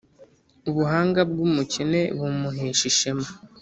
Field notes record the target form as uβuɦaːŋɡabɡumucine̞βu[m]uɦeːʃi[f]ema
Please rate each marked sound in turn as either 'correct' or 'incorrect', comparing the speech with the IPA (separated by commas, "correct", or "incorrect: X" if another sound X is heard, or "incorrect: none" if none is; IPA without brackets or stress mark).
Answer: correct, incorrect: ʃ